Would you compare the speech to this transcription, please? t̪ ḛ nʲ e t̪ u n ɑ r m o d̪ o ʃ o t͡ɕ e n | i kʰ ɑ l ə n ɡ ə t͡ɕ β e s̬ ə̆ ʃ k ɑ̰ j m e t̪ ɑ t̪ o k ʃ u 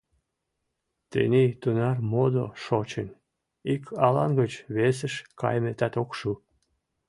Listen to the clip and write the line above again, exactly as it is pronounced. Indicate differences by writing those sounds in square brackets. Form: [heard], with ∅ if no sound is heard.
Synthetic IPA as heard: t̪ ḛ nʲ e t̪ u n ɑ r m o d̪ o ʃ o t͡ɕ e n | i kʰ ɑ l [ɑ] n ɡ ə t͡ɕ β e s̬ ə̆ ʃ k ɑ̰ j m e t̪ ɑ t̪ o k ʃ u